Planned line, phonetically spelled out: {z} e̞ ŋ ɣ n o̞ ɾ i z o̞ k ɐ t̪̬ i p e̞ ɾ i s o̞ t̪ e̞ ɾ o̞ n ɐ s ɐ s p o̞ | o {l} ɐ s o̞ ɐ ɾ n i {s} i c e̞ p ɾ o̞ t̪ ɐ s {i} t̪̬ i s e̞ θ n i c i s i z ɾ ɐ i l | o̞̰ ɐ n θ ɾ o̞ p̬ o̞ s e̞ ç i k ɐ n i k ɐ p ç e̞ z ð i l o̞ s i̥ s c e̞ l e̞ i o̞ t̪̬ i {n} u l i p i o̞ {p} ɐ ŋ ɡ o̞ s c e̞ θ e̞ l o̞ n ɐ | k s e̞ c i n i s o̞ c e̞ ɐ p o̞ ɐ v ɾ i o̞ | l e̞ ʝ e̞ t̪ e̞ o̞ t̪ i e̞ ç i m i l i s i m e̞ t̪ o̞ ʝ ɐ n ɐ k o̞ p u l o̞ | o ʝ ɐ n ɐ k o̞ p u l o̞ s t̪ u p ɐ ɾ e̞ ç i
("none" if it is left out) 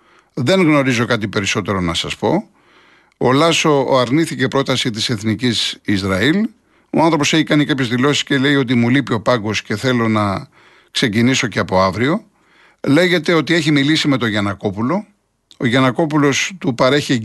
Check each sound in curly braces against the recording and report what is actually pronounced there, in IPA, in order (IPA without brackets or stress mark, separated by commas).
ð, l, θ, i, m, p